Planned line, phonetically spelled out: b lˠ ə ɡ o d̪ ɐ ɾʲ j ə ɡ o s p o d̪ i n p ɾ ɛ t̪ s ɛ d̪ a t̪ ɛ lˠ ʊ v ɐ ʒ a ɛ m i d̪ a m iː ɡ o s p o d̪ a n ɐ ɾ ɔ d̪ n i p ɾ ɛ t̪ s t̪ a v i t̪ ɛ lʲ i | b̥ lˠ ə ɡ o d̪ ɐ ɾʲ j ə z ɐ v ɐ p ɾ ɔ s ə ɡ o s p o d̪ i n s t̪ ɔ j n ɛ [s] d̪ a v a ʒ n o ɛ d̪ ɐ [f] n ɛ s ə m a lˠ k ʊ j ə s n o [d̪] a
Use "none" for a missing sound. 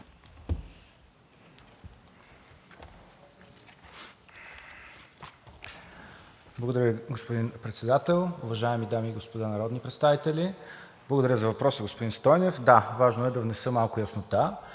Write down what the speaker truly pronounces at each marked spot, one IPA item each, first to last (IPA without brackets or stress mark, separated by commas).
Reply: f, v, t̪